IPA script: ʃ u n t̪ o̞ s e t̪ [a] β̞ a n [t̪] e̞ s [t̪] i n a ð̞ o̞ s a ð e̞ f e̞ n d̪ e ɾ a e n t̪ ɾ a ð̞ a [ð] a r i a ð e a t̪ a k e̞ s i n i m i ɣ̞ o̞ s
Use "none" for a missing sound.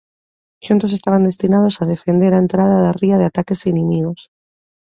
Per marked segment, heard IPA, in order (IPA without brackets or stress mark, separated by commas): a, d̪, t̪, ð